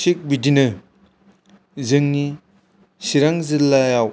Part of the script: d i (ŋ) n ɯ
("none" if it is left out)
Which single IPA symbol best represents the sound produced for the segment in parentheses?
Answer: none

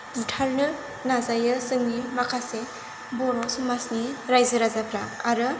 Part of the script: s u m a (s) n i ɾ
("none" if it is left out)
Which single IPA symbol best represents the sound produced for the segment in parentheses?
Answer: s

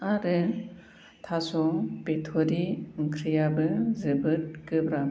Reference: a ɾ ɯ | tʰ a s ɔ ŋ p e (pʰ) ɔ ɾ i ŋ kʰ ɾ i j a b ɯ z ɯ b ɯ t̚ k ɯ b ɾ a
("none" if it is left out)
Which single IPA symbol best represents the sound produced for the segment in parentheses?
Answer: tʰ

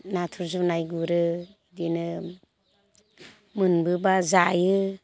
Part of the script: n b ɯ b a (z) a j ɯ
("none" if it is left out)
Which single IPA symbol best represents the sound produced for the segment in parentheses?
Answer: z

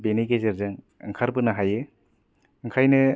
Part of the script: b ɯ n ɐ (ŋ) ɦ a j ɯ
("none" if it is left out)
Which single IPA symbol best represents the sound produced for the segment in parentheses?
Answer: none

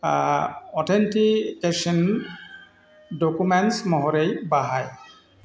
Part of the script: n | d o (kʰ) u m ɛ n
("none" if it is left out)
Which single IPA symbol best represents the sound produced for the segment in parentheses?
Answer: k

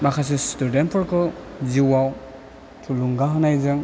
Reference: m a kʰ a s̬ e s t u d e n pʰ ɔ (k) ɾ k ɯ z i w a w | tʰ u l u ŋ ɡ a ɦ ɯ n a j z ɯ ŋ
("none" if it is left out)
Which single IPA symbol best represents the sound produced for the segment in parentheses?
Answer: none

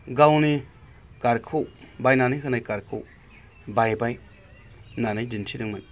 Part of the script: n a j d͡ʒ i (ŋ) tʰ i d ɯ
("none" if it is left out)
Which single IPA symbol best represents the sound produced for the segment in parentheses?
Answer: n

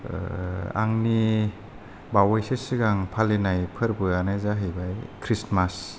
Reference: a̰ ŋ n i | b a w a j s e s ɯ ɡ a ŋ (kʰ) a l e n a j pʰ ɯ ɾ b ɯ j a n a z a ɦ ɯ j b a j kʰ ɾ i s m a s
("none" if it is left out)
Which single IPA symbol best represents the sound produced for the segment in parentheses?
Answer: pʰ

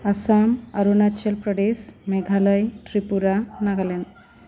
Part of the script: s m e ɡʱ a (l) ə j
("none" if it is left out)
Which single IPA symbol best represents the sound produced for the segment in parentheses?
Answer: l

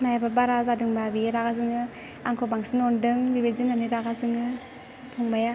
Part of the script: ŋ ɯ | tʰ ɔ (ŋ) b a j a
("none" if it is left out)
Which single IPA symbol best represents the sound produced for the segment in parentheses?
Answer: ŋ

